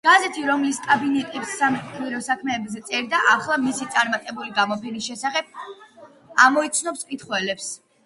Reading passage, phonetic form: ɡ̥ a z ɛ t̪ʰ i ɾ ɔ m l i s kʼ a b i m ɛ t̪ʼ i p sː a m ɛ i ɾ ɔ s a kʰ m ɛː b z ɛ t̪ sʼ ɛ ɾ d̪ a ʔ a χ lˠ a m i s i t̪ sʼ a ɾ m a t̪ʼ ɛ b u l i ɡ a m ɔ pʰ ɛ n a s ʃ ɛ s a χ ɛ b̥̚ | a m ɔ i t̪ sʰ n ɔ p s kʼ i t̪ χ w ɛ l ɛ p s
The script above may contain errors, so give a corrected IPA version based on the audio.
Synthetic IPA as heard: ɡ̥ a z ɛ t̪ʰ i ɾ ɔ m l i s kʼ a b i n ɛ t̪ʼ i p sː a m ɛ i ɾ ɔ s a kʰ m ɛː b z ɛ t̪ sʼ ɛ ɾ d̪ a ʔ a χ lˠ a m i s i t̪ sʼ a ɾ m a t̪ʼ ɛ b u l i ɡ a m ɔ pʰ ɛ n i s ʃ ɛ s a χ ɛ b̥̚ | a m ɔ i t̪ sʰ n ɔ p s kʼ i t̪ χ w ɛ l ɛ p s